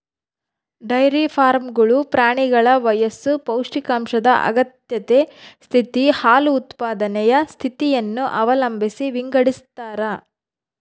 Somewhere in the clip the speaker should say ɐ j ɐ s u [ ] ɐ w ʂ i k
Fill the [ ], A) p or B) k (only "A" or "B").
A